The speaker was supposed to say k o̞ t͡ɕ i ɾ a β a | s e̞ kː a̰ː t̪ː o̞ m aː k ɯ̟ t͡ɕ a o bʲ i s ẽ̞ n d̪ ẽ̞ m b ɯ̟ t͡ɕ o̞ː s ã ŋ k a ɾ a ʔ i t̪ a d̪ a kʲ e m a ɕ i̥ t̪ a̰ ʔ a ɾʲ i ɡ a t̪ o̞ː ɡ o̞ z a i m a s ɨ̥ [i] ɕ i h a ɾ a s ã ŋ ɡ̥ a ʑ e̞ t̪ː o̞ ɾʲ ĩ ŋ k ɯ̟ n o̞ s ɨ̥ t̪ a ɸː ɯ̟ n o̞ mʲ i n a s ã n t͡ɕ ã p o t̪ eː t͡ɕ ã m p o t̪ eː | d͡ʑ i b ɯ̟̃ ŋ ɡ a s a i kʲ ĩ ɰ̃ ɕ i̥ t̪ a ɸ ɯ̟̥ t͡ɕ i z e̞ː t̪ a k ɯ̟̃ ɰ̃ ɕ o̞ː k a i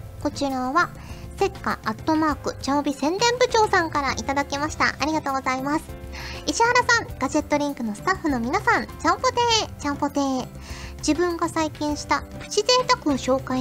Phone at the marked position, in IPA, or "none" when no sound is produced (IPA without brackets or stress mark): i